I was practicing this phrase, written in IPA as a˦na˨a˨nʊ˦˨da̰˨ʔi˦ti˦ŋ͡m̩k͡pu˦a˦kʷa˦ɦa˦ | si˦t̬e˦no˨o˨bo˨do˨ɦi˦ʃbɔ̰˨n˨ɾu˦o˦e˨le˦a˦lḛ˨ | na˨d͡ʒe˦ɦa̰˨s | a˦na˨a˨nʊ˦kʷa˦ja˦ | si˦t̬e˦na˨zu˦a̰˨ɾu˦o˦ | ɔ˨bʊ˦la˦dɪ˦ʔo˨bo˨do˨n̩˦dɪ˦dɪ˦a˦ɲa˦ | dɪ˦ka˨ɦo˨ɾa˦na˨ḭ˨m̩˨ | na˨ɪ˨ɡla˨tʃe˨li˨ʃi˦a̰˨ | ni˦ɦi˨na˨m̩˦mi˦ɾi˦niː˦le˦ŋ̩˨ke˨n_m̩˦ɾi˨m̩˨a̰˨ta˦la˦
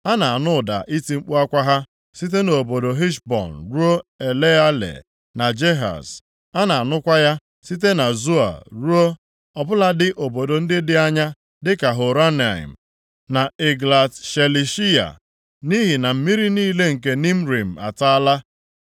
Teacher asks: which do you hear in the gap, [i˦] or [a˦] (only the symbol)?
i˦